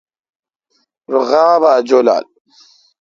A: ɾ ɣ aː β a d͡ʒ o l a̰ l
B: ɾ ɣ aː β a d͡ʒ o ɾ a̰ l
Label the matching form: A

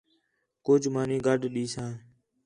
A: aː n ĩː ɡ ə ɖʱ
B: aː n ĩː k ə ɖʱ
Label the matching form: A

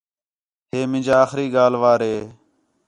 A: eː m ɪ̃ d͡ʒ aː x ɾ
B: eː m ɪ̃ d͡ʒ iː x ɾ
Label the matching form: A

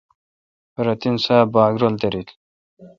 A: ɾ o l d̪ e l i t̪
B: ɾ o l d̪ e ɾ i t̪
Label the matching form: B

